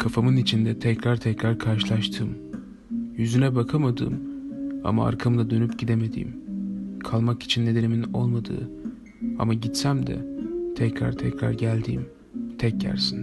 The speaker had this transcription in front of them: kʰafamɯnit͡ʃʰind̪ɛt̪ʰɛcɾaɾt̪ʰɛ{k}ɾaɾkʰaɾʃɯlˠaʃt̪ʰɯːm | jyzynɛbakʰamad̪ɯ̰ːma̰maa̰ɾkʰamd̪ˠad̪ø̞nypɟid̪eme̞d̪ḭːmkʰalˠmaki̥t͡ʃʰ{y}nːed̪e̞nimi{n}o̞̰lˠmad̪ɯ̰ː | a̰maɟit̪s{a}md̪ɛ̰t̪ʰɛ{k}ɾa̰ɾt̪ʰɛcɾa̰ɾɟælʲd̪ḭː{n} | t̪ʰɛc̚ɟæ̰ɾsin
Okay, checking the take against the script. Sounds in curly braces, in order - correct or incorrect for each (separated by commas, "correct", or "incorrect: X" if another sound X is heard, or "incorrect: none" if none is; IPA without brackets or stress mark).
incorrect: c, incorrect: i, correct, incorrect: æ, incorrect: c, incorrect: m